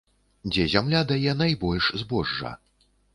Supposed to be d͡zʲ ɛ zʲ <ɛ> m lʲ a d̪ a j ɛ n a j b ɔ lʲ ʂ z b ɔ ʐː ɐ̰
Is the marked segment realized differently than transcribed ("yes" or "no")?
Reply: yes